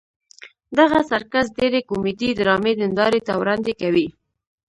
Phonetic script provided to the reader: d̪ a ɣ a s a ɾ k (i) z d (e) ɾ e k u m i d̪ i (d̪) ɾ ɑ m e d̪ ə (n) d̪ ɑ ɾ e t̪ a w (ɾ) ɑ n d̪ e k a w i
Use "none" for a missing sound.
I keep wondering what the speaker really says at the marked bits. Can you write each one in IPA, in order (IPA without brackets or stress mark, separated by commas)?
a, e, d̪, n, ɾ